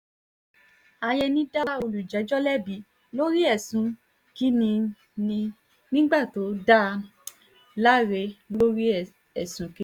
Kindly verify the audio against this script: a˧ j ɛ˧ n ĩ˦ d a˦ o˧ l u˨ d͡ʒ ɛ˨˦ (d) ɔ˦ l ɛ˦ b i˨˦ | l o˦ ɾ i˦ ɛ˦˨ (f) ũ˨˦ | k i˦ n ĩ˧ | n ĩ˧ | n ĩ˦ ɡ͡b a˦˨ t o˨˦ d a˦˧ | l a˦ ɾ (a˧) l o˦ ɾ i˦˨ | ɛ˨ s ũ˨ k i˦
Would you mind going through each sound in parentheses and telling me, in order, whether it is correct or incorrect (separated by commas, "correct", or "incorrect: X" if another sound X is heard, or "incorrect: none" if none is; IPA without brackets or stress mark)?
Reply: incorrect: d͡ʒ, incorrect: s, incorrect: e˧